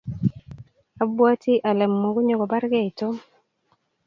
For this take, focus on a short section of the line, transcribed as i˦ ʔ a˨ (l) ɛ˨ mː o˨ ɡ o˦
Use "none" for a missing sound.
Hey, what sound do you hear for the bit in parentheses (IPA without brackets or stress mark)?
l